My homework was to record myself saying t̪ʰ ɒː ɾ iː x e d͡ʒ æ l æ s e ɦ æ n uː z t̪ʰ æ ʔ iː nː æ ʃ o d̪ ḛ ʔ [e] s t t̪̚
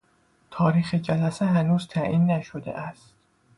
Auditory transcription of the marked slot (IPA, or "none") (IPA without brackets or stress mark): æ